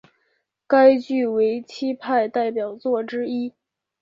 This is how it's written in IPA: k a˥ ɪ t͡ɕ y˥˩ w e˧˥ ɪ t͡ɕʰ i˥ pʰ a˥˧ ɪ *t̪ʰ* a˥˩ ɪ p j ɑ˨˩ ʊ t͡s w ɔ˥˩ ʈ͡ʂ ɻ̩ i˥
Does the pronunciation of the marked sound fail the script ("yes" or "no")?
yes